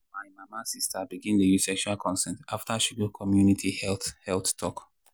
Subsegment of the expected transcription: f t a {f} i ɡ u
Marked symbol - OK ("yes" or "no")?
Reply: no